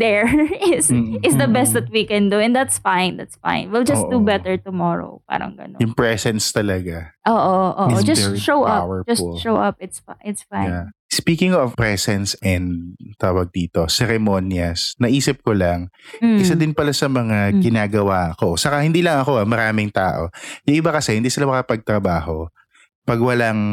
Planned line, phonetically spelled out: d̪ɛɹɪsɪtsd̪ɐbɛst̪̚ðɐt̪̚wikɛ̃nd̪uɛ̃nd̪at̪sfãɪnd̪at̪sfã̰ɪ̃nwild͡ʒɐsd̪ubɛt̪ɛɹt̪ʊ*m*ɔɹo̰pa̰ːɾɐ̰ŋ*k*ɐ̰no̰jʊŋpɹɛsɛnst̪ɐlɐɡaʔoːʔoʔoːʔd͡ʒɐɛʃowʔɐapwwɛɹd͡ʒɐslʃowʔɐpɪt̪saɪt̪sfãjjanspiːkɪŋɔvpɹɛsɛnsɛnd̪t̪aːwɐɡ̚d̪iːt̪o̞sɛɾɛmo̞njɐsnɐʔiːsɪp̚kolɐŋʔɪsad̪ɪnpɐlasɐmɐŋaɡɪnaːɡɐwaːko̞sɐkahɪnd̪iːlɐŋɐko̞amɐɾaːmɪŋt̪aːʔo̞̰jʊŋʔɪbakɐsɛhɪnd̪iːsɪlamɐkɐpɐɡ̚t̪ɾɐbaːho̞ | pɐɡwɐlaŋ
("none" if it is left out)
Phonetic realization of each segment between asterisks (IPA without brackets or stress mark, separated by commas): m, ɡ